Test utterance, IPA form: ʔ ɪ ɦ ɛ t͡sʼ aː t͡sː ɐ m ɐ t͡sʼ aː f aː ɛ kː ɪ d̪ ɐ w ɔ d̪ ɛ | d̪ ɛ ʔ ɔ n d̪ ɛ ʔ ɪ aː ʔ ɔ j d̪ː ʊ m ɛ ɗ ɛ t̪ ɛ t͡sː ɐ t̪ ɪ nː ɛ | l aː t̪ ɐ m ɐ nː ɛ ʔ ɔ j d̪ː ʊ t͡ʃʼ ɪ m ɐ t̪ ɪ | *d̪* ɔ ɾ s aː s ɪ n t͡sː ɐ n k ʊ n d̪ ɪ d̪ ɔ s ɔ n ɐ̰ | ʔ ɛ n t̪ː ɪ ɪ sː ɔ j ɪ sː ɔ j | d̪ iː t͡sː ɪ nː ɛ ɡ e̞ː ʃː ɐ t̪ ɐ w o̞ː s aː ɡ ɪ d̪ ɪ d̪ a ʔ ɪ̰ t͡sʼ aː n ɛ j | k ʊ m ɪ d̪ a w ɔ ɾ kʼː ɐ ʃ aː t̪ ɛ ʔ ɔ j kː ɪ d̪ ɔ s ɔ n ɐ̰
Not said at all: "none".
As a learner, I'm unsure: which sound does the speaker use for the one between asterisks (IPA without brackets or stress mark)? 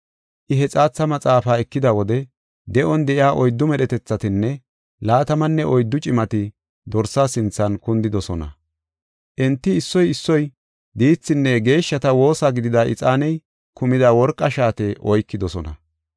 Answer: d̪